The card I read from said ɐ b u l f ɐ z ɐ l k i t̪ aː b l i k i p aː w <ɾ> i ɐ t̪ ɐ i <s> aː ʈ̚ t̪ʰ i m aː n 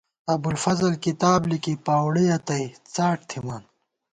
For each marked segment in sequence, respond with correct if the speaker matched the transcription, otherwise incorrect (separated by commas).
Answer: incorrect, incorrect